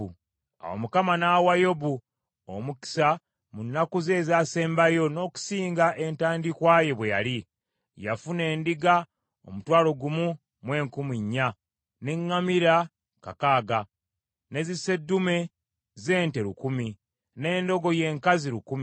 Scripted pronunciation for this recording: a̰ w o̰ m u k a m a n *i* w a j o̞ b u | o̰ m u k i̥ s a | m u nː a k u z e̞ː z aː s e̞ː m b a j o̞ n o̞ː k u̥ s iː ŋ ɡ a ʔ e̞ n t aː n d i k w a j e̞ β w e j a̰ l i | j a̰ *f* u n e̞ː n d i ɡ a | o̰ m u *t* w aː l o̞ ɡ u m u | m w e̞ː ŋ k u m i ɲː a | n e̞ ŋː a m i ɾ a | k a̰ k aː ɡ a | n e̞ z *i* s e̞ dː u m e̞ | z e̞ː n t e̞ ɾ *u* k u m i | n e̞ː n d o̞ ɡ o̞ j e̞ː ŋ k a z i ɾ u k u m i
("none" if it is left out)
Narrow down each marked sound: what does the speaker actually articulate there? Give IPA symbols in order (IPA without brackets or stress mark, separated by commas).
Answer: a, f, t, i, u